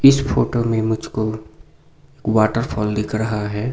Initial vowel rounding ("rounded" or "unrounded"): unrounded